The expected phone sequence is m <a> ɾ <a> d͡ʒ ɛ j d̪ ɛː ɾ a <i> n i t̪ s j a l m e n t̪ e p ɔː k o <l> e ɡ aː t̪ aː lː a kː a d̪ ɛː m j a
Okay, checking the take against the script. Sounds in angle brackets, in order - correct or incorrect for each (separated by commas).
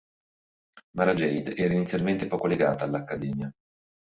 correct, correct, correct, correct